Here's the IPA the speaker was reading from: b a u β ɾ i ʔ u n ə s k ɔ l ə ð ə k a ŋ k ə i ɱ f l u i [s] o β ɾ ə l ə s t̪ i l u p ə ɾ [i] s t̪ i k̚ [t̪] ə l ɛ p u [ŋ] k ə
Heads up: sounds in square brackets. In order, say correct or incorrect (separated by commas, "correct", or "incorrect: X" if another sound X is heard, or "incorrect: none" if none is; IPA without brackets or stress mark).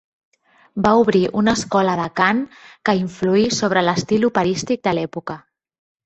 correct, correct, incorrect: d̪, incorrect: none